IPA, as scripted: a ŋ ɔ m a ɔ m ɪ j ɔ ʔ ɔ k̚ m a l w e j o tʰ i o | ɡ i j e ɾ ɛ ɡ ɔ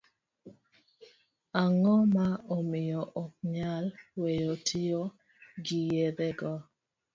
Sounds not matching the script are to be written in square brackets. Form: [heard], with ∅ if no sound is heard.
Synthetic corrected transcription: a ŋ ɔ m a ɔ m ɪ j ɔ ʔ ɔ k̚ [ɲ] a l w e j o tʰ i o | ɡ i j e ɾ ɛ ɡ ɔ